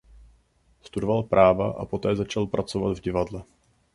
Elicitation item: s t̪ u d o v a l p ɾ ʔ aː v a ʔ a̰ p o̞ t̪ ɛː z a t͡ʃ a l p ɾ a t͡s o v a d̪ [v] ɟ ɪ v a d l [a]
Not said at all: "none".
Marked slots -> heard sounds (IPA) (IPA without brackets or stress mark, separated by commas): v, ɛ